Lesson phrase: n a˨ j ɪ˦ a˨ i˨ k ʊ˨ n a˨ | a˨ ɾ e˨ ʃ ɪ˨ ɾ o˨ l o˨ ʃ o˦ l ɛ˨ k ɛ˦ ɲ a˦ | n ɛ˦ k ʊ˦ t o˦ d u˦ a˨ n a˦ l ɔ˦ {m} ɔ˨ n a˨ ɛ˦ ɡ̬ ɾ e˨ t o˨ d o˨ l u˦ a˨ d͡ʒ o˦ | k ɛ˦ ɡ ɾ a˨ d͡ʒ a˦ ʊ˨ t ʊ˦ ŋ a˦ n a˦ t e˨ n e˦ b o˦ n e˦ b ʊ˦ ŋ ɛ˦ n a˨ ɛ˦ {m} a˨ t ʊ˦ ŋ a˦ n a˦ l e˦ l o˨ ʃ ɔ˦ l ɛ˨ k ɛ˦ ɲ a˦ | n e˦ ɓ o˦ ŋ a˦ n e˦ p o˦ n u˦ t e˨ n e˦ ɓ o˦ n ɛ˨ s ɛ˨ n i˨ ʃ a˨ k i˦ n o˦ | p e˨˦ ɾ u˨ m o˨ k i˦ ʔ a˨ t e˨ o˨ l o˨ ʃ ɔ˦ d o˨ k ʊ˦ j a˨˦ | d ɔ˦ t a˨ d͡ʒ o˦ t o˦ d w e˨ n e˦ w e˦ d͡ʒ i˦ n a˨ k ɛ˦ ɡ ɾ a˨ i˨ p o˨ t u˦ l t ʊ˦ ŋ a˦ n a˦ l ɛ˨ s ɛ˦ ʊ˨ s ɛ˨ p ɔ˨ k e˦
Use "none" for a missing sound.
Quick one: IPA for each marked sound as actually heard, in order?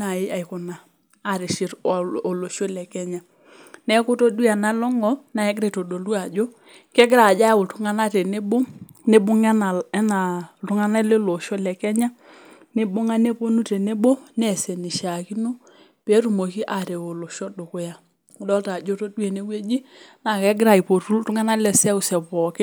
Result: ŋ, n

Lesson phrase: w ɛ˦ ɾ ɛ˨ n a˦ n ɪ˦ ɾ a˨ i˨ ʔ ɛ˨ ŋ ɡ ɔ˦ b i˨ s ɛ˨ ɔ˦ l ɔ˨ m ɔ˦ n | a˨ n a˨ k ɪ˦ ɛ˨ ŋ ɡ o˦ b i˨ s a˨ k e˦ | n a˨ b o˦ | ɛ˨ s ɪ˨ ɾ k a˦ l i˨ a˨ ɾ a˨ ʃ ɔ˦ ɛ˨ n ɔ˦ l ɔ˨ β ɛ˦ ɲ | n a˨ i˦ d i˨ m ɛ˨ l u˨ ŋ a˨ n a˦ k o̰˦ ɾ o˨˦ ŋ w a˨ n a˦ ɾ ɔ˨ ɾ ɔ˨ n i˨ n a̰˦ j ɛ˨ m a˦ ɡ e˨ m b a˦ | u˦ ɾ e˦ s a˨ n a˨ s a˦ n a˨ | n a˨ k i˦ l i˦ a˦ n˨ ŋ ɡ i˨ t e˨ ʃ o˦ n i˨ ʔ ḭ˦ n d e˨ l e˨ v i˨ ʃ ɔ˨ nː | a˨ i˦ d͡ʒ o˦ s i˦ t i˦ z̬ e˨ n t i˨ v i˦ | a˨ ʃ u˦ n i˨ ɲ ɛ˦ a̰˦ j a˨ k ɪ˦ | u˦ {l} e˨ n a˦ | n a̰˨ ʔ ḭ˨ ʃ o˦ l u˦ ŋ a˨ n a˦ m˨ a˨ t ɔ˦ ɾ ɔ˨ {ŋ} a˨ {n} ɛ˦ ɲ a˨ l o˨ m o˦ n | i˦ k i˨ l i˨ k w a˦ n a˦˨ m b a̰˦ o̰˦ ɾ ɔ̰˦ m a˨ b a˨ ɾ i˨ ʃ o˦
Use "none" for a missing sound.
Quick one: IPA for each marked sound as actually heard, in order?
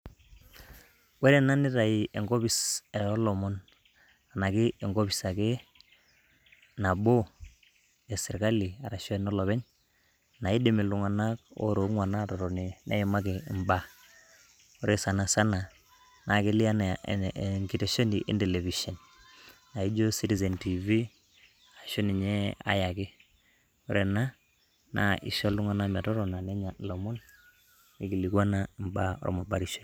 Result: ɾ, n, n

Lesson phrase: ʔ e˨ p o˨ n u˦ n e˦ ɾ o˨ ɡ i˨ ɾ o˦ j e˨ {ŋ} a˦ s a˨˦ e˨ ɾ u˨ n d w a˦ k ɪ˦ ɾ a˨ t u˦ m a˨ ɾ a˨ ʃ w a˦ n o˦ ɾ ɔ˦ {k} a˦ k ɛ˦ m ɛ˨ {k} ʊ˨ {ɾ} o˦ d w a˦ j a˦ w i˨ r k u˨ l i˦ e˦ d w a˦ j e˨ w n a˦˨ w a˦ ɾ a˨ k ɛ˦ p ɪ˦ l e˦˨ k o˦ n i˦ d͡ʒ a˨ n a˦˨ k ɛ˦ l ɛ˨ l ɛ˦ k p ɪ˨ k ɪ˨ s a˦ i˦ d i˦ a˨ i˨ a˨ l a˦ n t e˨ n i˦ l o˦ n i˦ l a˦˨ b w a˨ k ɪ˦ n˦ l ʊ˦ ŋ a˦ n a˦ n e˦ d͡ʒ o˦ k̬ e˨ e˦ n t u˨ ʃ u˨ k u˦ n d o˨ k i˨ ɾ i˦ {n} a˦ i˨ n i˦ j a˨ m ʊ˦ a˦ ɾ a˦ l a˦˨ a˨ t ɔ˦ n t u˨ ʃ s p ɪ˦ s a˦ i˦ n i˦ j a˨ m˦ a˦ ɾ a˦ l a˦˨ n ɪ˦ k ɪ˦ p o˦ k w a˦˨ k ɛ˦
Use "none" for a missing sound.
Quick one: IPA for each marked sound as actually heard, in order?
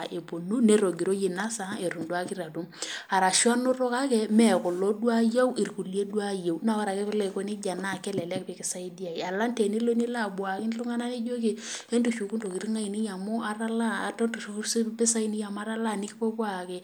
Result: n, k, k, l, ŋ

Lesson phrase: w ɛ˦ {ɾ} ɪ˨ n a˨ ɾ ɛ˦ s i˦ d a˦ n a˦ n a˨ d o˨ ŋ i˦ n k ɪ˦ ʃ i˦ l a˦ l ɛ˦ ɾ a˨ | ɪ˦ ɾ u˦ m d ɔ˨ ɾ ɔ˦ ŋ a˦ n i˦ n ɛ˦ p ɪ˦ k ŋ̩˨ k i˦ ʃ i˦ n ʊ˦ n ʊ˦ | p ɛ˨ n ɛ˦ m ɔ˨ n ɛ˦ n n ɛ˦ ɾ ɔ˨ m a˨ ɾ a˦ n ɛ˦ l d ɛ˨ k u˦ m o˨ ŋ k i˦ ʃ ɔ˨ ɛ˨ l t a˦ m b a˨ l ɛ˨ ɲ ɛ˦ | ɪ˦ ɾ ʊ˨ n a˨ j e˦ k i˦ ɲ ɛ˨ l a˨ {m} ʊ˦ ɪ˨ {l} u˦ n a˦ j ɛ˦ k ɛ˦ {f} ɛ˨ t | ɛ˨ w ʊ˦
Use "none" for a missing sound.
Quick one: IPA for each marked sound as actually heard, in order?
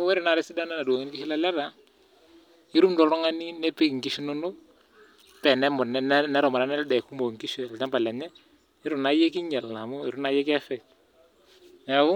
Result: ɾ, m, ɾ, f

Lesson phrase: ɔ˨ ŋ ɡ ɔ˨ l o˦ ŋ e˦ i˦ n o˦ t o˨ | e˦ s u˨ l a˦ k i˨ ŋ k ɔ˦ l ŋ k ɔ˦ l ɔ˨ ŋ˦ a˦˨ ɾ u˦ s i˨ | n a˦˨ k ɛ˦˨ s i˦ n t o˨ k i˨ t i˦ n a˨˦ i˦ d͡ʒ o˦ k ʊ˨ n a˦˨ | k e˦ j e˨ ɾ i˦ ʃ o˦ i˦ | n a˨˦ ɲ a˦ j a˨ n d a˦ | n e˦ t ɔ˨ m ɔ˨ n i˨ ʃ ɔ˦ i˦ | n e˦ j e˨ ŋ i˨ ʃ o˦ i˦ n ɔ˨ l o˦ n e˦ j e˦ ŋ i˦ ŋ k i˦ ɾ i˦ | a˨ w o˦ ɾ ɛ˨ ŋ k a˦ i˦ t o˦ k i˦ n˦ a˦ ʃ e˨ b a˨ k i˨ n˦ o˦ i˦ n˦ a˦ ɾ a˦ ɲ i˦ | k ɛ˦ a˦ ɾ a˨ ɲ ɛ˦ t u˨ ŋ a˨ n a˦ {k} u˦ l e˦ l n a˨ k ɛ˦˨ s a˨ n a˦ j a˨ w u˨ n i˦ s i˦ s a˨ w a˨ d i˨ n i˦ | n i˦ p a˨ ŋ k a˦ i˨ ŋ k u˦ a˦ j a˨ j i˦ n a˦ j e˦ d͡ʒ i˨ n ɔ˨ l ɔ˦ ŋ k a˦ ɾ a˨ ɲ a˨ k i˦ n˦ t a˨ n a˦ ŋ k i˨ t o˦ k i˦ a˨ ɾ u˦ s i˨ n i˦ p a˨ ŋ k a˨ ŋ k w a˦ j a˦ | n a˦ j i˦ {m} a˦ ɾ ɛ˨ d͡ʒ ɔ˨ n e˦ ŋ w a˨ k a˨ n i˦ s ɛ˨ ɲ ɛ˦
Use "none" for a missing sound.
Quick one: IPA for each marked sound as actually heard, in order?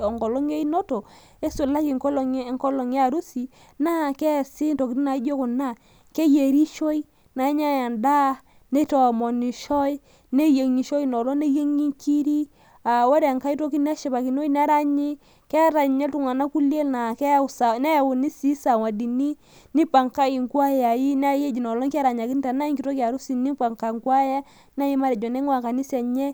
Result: k, m

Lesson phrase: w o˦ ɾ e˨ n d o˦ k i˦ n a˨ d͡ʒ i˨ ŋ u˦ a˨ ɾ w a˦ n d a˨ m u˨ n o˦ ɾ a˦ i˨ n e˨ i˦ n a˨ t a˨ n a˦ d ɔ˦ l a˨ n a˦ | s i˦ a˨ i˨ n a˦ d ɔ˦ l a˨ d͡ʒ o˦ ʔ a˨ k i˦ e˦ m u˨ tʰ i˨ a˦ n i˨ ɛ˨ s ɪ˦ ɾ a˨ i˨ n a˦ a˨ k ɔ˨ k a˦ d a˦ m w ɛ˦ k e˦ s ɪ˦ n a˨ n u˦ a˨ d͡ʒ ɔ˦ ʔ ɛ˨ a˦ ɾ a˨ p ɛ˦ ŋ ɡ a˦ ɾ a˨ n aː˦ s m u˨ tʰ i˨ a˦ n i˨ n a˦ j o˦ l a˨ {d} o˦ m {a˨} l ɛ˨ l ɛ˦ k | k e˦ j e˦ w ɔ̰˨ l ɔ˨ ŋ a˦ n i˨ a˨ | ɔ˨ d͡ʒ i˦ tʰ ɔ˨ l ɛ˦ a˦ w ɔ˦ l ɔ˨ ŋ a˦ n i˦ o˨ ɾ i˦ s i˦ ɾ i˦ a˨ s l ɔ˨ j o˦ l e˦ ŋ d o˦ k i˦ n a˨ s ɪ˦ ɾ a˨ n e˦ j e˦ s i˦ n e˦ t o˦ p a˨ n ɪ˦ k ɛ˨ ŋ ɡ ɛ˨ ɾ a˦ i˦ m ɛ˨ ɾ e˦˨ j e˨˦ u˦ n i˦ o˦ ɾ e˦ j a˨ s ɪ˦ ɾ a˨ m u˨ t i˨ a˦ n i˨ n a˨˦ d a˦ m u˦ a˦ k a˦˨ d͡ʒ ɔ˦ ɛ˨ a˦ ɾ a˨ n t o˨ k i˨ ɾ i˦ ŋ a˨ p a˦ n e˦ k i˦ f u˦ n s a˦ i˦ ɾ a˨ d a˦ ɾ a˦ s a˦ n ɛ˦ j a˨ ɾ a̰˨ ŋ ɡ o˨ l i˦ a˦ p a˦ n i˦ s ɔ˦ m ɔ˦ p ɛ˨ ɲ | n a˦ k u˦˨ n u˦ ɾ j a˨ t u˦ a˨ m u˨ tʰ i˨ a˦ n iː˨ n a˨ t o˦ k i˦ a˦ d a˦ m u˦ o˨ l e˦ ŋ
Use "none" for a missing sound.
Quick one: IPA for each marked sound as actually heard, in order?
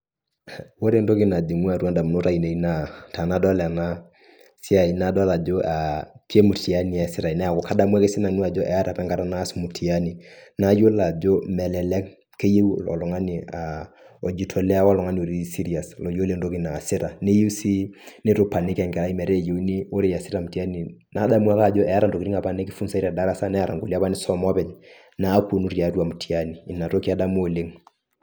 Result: d͡ʒ, ɛ˨

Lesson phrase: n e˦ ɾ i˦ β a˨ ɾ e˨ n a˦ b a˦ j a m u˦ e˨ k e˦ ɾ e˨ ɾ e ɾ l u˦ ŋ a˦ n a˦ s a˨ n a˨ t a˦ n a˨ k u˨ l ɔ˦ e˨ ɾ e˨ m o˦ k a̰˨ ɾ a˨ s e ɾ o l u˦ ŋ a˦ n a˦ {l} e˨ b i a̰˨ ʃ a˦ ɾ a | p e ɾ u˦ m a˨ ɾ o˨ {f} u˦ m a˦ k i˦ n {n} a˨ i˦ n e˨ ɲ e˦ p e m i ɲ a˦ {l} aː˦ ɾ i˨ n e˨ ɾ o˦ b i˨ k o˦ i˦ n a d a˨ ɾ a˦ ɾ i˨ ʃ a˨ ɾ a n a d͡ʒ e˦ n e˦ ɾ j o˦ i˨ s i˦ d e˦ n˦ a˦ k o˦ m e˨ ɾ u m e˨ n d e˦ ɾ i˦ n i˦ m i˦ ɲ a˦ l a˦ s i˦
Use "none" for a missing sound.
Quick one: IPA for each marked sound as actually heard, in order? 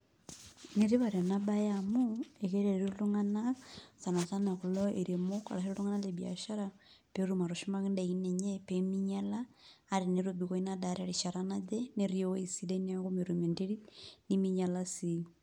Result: l, ʃ, d, l

